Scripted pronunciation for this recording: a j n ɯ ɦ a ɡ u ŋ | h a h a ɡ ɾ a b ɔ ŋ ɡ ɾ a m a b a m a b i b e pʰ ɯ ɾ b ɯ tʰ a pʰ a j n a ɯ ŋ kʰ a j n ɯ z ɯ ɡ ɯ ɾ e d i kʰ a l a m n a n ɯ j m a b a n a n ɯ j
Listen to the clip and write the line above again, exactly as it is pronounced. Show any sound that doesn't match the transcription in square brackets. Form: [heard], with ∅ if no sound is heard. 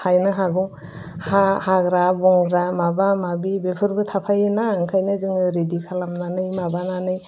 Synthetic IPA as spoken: a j n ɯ ɦ a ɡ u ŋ | h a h a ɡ ɾ a b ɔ ŋ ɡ ɾ a m a b a m a b i b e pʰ ɯ ɾ b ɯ tʰ a pʰ a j n a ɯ ŋ kʰ a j n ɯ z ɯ [ŋ] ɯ ɾ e d i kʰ a l a m n a n ɯ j m a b a n a n ɯ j